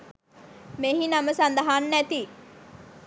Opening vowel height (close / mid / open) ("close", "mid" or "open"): mid